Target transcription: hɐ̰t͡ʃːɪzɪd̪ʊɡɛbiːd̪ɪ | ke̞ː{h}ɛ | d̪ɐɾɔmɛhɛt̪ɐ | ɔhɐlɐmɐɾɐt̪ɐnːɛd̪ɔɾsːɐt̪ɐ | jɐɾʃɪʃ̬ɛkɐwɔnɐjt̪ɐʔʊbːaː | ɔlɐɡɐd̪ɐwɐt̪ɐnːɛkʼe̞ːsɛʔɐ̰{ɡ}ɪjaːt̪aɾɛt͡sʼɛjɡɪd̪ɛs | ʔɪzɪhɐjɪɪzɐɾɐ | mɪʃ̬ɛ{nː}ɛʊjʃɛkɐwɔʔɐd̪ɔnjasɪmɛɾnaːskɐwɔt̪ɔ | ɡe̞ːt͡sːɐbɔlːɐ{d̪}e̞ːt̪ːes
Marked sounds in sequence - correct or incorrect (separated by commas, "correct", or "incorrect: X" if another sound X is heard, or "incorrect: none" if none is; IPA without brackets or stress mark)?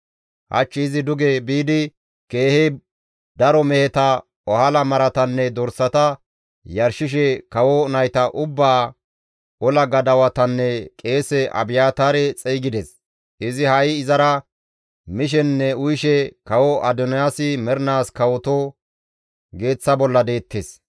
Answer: correct, incorrect: b, correct, correct